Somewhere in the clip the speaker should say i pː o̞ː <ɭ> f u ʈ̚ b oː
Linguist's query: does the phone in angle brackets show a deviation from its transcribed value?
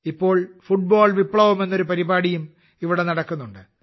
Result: no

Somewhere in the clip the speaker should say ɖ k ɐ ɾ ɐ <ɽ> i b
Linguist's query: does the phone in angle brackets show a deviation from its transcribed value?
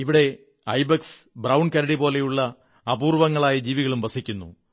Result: no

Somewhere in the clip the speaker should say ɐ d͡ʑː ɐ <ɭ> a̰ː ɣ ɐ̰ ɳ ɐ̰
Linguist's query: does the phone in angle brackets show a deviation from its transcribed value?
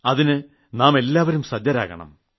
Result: yes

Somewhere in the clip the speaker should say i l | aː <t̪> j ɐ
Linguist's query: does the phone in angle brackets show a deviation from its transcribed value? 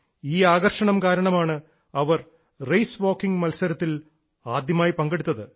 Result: yes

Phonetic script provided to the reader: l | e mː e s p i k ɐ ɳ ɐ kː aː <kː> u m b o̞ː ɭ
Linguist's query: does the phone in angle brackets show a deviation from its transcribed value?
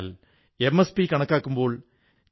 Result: no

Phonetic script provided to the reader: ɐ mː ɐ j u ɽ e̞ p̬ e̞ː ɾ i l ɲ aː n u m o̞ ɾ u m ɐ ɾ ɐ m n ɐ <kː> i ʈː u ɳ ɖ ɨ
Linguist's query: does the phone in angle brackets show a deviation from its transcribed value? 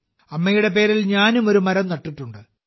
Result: yes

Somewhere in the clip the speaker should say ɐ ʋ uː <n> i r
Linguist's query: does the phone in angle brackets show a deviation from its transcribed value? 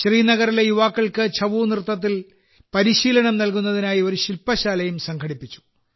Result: no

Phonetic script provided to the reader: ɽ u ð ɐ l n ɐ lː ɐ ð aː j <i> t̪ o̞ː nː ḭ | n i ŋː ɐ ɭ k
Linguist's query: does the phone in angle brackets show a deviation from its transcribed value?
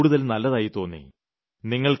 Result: no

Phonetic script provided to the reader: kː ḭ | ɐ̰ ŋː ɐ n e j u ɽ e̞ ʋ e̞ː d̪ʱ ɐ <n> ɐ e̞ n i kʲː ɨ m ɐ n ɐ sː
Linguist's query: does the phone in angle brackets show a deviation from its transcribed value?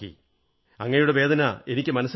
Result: no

